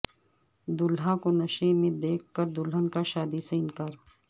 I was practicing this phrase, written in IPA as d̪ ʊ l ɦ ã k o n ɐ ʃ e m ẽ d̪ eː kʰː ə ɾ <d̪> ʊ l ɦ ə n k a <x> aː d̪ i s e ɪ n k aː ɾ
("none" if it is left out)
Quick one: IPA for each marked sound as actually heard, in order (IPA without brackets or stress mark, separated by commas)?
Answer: d̪, ʃ